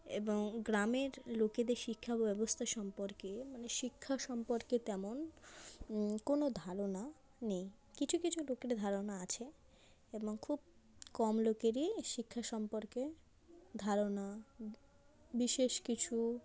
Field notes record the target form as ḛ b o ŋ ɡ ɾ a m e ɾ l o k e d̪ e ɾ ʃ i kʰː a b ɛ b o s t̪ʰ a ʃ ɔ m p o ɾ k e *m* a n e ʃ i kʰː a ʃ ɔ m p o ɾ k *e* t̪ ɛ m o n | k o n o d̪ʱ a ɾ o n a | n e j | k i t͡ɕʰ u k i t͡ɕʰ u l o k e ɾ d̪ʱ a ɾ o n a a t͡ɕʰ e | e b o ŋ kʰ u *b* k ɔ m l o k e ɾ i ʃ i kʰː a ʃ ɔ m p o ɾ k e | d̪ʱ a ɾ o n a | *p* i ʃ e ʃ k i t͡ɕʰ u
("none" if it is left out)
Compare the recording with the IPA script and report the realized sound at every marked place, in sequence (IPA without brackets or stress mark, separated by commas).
m, e, b, b